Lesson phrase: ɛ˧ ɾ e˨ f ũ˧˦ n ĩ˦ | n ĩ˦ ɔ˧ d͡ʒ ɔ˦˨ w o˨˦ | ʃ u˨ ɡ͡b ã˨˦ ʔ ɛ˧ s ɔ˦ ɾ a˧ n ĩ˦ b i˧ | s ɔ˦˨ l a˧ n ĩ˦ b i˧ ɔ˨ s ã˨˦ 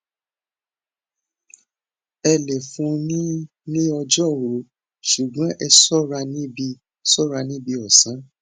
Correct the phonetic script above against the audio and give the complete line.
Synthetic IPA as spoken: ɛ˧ l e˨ f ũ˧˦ n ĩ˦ | n ĩ˦ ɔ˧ d͡ʒ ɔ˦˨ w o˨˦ | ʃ u˨ ɡ͡b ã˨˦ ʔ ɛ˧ s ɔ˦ ɾ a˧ n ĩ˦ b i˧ | s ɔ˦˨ ɾ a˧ n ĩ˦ b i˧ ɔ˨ s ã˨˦

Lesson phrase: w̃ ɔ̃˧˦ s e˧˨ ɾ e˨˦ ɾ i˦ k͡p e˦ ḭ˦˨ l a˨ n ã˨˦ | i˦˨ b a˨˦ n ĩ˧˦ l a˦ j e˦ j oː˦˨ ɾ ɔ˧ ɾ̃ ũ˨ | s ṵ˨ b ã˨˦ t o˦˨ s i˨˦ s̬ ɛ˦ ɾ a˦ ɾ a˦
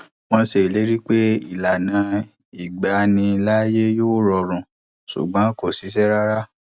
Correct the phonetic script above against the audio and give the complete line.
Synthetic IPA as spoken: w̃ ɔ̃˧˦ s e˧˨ l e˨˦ ɾ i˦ k͡p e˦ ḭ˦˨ l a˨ n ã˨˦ | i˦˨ ɡ͡b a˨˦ n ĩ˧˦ l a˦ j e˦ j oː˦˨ ɾ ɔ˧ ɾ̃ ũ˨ | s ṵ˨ ɡ͡b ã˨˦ k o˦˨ s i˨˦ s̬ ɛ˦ ɾ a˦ ɾ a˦

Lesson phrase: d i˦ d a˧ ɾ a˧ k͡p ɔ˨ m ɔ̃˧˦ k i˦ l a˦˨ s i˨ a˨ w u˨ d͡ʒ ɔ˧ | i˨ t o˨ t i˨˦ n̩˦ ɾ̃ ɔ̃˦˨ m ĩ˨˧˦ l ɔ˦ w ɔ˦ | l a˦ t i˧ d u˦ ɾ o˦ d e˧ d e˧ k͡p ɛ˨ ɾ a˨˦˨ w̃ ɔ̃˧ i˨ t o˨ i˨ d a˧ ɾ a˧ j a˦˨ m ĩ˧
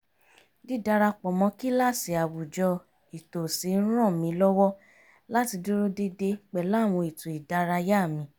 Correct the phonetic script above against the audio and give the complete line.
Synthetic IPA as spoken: d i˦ d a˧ ɾ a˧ k͡p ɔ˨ m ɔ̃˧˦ k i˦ l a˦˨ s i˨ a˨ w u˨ d͡ʒ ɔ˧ | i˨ t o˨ s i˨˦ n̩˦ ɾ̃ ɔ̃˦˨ m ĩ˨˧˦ l ɔ˦ w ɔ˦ | l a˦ t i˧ d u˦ ɾ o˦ d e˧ d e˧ k͡p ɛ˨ l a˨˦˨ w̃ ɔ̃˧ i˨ t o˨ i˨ d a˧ ɾ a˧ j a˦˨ m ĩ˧

